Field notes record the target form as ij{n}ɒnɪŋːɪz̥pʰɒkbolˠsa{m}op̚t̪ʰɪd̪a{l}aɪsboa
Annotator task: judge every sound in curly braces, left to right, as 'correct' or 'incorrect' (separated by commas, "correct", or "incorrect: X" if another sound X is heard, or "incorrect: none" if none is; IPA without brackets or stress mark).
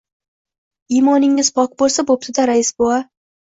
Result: incorrect: m, incorrect: b, incorrect: ɾ